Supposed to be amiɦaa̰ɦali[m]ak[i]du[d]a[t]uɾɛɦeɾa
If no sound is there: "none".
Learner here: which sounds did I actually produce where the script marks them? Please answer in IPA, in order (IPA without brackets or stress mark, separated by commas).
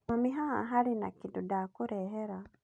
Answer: n, i, d, k